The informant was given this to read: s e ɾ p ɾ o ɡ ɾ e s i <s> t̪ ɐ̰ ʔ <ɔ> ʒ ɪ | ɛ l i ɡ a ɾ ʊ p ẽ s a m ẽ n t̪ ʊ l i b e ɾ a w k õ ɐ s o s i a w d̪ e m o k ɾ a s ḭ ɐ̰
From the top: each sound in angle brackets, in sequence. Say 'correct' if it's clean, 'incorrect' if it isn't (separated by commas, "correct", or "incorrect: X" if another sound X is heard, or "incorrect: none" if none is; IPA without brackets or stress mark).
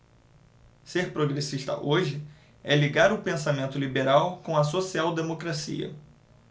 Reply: incorrect: ʃ, incorrect: o